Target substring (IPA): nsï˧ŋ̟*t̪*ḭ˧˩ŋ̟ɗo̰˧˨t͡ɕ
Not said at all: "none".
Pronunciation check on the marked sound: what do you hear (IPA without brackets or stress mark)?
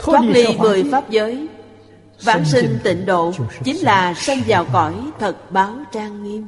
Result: t̪